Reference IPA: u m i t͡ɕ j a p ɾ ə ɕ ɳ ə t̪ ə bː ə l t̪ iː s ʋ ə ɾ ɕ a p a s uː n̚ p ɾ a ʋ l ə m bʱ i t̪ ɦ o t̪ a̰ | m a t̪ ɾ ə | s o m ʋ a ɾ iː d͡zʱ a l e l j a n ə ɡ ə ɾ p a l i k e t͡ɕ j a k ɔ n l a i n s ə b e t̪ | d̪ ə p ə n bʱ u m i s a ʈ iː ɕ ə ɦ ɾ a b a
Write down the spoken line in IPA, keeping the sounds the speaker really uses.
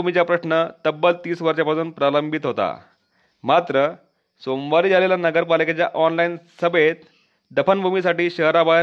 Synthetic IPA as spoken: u m i t͡ɕ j a p ɾ ə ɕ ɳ ə t̪ ə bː ə l t̪ iː s ʋ ə ɾ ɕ a p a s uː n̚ p ɾ a l ə m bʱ i t̪ ɦ o t̪ a̰ | m a t̪ ɾ ə | s o m ʋ a ɾ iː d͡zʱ a l e l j a n ə ɡ ə ɾ p a l i k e t͡ɕ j a ʔ ɔ n l a i n s ə b e t̪ | d̪ ə p ə n bʱ u m i s a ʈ iː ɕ ə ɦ ɾ a b a